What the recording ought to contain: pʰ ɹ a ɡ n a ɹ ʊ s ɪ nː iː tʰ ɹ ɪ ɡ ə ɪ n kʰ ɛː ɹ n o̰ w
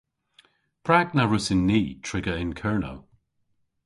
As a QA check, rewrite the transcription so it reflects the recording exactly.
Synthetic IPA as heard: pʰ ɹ a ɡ n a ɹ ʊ s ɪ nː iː tʰ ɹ ɪ ɡ ə ɪ n kʰ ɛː ɹ n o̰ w